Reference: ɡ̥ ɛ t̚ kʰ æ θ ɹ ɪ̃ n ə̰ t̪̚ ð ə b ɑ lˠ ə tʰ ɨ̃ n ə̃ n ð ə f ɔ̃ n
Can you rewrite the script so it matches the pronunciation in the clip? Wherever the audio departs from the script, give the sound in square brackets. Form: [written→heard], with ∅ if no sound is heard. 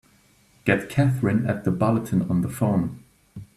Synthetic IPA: ɡ̥ ɛ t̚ kʰ æ θ ɹ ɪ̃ n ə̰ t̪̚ ð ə b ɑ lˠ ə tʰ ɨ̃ n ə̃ n ð ə f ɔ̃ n